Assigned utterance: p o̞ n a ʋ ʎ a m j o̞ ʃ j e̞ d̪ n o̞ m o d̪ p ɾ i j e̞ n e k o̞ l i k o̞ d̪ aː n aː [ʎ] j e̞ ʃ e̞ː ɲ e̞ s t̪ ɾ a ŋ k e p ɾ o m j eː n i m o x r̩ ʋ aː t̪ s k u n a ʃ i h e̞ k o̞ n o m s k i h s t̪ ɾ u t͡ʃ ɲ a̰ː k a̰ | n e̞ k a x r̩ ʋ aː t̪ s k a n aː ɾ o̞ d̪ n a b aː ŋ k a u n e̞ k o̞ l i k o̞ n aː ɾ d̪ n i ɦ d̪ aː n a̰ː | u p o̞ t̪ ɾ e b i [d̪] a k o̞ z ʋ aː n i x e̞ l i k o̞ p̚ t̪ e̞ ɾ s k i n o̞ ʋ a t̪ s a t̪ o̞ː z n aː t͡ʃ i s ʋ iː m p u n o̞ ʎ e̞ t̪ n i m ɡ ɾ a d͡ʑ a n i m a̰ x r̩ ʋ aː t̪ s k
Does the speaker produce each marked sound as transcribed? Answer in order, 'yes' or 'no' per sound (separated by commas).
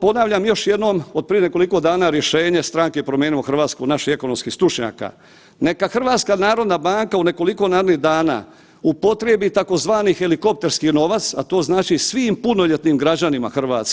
no, no